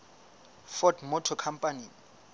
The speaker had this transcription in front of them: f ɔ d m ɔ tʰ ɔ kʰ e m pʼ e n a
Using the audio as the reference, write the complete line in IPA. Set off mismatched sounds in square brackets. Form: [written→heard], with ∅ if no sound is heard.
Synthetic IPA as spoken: f ɔ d m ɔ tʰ ɔ kʰ [e→a] m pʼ [e→a] n [a→i]